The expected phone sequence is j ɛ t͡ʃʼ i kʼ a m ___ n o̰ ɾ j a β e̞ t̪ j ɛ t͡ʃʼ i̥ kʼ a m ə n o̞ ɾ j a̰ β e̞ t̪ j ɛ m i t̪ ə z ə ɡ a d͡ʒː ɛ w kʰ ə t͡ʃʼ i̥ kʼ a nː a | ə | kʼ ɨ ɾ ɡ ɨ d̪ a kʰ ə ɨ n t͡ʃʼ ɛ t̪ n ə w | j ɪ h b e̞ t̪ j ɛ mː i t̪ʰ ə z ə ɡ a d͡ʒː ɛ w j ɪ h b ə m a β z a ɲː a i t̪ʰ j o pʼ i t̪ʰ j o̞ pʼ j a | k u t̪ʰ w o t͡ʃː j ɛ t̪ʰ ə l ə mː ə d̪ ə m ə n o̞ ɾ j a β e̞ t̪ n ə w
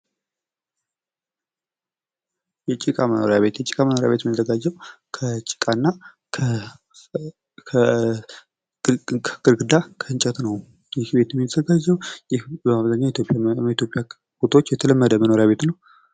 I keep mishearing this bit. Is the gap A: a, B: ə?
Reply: B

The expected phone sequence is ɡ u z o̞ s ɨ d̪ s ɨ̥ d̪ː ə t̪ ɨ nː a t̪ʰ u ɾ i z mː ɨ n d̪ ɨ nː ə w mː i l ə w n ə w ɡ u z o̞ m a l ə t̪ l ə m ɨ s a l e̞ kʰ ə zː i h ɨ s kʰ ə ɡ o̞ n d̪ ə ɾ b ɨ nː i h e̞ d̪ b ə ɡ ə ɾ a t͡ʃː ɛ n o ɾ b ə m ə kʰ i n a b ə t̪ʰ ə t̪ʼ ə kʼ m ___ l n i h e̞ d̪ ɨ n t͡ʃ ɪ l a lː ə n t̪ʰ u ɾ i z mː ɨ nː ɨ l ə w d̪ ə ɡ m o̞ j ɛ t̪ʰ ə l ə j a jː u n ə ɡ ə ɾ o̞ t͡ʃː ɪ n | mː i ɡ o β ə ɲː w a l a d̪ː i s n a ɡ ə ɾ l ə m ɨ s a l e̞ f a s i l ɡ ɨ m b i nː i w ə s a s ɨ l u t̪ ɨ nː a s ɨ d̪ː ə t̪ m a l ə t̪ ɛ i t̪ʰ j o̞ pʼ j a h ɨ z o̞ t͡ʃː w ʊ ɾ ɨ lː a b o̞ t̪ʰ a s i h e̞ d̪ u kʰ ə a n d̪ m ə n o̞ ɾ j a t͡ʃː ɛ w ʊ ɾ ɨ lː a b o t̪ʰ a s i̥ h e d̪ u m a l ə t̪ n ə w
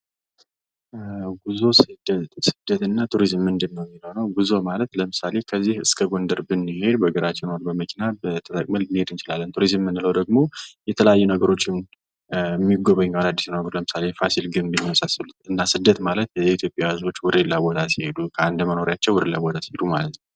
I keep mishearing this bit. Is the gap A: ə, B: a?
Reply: A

